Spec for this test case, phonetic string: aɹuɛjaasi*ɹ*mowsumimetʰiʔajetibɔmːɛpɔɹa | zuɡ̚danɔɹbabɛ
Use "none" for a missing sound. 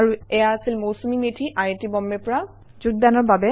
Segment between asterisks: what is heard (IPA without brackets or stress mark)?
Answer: l